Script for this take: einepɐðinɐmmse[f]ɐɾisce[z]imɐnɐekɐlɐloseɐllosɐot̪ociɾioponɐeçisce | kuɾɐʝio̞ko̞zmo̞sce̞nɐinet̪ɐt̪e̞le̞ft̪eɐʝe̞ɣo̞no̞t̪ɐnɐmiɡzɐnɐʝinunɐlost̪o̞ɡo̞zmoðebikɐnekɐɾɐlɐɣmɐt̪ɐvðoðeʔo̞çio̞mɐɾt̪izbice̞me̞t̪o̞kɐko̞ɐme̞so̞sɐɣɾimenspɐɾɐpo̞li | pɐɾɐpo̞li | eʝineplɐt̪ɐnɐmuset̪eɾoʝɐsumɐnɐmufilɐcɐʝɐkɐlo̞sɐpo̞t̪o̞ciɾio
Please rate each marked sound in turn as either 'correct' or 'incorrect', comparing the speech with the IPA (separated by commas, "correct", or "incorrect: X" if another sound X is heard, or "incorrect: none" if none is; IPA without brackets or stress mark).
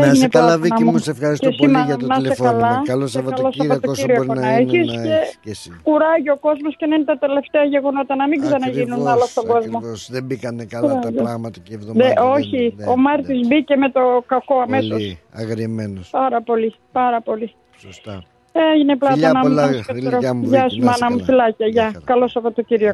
correct, incorrect: s